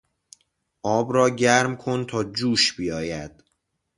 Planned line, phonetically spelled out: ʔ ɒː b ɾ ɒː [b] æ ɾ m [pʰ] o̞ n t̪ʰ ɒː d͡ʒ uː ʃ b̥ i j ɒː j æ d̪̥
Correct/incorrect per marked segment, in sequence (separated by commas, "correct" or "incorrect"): incorrect, incorrect